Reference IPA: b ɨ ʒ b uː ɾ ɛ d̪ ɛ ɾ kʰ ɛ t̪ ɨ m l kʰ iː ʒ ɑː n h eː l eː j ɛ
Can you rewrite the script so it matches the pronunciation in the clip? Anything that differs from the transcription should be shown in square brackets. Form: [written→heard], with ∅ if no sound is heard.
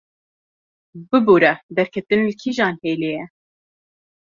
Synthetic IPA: b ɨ [ʒ→∅] b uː ɾ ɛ d̪ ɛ ɾ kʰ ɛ t̪ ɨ [m→n] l kʰ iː ʒ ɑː n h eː l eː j ɛ